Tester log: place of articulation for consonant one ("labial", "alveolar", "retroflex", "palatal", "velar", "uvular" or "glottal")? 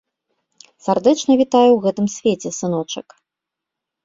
alveolar